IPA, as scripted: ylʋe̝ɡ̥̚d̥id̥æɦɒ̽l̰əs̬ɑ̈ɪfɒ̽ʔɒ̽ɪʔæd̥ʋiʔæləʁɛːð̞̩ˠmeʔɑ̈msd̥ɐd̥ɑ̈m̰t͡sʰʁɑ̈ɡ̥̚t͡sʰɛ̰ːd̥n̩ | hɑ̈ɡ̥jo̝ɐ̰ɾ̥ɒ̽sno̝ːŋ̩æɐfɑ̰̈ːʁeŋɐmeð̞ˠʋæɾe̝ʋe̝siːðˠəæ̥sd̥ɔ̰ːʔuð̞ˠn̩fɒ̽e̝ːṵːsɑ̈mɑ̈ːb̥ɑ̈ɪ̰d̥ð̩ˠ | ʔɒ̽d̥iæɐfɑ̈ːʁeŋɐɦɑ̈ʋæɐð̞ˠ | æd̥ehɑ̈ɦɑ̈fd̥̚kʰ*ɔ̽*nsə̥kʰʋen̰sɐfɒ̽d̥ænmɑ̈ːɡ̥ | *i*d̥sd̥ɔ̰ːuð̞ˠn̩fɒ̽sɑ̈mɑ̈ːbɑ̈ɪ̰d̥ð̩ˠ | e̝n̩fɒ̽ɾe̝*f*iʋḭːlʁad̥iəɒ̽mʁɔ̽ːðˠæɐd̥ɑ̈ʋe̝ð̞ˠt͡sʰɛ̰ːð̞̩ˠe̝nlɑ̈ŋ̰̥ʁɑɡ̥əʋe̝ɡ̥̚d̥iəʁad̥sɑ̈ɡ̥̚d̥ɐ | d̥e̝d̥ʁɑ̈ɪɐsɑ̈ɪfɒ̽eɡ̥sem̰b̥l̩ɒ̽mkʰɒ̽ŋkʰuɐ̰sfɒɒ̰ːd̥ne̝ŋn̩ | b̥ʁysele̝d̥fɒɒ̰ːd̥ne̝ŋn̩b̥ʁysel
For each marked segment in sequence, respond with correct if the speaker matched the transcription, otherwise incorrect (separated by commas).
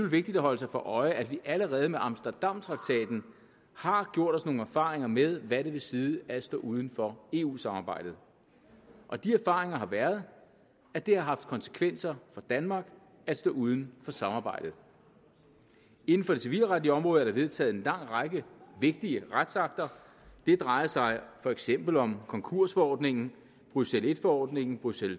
incorrect, incorrect, incorrect